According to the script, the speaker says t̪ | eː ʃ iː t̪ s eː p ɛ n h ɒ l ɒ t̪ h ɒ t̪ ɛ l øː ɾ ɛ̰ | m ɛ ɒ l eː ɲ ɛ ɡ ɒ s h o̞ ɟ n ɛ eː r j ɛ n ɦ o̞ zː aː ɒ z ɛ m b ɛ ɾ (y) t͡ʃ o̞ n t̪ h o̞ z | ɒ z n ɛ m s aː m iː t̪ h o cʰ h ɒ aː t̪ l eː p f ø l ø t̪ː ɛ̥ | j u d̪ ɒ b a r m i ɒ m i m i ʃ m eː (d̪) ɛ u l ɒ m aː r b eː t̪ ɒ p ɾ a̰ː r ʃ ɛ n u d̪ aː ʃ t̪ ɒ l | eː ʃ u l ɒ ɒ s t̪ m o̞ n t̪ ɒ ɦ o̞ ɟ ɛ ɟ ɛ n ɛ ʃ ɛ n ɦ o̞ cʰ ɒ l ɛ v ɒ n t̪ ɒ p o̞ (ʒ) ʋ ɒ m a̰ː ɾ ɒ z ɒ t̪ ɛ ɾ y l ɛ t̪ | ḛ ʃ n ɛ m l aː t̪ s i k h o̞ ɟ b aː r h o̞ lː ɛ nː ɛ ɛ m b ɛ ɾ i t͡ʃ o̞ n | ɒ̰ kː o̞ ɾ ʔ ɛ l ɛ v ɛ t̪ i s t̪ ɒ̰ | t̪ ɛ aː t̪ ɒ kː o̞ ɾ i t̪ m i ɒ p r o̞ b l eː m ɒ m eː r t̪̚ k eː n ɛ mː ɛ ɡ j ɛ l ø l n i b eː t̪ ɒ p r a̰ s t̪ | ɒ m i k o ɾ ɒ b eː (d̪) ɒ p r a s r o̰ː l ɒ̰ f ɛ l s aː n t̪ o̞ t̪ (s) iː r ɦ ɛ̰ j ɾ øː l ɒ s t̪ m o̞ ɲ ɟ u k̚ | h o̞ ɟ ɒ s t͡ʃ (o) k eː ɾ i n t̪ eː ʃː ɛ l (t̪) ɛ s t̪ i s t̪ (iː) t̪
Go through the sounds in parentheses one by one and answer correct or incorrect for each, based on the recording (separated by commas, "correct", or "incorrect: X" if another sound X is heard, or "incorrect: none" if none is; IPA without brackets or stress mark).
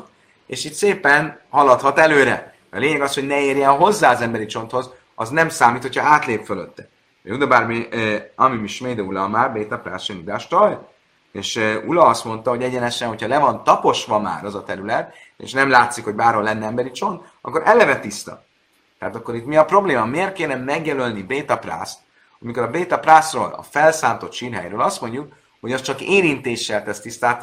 incorrect: i, correct, incorrect: ʃ, incorrect: t̪, incorrect: ʃ, incorrect: ɒ, correct, incorrect: aː